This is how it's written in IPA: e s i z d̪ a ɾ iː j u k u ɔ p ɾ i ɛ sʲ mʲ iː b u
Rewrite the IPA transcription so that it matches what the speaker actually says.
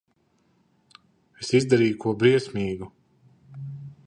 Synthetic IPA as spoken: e s i z d̪ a ɾ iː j u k u ɔ b ɾ i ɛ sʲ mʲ iː ɡ u